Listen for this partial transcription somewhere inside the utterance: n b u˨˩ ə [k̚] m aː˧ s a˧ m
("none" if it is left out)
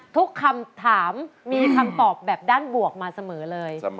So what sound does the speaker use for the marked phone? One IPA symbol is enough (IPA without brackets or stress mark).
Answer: k̚